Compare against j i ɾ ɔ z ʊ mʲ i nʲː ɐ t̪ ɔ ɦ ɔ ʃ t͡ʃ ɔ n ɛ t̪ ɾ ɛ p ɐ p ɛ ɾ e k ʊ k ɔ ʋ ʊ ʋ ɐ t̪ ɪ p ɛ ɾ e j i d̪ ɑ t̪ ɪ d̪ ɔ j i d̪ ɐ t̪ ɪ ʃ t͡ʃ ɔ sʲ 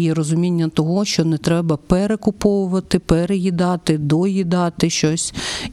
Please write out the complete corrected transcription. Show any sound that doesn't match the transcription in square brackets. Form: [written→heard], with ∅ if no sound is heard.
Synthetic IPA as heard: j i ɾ ɔ z ʊ mʲ i nʲː ɐ t̪ ɔ ɦ ɔ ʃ t͡ʃ ɔ n ɛ t̪ ɾ ɛ [p→b] ɐ p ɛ ɾ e k ʊ [k→p] ɔ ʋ ʊ ʋ ɐ t̪ ɪ p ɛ ɾ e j i d̪ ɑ t̪ ɪ d̪ ɔ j i d̪ [ɐ→ɑ] t̪ ɪ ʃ t͡ʃ ɔ sʲ